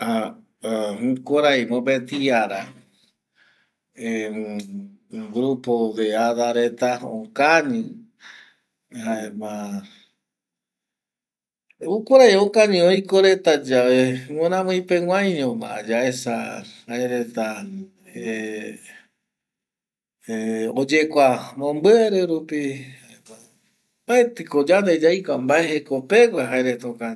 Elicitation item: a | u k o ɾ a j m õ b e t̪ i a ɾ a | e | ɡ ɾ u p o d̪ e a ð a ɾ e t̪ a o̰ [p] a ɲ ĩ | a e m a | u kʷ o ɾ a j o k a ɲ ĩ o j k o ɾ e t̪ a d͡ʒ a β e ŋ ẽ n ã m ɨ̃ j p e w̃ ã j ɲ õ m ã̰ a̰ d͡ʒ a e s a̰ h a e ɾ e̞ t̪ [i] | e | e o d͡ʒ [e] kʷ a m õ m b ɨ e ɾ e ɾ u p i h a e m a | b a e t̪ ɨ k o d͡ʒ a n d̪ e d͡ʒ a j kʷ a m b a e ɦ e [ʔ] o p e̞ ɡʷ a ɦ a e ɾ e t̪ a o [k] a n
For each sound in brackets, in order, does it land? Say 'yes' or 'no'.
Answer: no, no, yes, no, yes

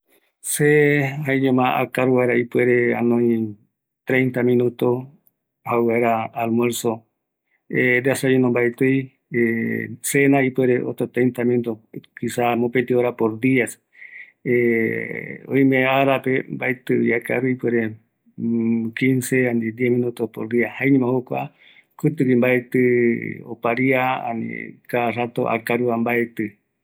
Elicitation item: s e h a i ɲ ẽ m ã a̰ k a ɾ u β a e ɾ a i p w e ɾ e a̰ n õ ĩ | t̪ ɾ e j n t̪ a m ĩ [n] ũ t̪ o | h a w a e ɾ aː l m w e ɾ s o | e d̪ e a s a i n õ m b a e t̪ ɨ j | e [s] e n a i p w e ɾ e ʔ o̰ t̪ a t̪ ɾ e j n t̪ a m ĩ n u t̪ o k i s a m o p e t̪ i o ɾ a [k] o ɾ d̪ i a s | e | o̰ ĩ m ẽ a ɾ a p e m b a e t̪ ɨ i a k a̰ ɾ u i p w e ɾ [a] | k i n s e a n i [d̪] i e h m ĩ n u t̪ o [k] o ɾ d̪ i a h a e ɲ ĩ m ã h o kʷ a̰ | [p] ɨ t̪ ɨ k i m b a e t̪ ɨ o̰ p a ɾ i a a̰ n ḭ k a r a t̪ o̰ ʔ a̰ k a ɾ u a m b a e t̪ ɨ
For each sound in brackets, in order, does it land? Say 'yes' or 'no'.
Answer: yes, yes, no, no, yes, no, no

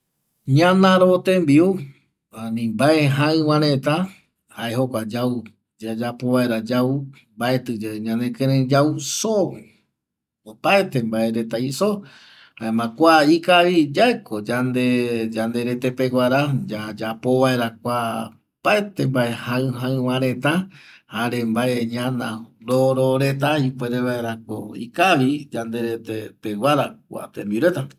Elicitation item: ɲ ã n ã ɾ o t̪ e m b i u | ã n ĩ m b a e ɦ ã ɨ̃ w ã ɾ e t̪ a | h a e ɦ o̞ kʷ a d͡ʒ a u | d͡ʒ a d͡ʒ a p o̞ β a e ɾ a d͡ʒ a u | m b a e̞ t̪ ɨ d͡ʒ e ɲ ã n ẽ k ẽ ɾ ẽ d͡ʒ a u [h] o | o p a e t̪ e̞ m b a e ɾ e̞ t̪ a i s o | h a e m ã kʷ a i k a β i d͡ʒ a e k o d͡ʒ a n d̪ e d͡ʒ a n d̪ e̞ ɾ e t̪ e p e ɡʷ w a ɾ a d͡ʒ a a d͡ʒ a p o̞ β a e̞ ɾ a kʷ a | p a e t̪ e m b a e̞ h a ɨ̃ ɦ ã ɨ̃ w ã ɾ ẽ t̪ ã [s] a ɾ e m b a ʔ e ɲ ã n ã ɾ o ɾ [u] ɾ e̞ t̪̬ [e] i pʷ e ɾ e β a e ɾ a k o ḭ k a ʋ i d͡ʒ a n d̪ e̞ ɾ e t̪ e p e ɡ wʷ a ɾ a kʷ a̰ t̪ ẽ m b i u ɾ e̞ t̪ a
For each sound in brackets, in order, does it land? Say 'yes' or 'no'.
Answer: no, no, no, no

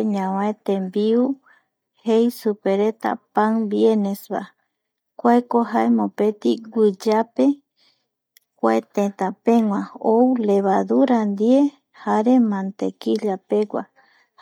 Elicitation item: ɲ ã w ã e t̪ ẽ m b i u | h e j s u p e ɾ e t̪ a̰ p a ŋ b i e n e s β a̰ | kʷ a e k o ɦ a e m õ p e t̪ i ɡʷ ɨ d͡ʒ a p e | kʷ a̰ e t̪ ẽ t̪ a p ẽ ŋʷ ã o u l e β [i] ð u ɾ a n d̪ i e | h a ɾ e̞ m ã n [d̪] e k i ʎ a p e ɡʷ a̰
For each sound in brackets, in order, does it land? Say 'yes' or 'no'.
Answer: no, no

